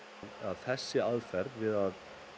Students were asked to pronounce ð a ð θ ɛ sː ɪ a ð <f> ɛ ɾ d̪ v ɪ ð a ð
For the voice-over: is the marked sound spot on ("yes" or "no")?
yes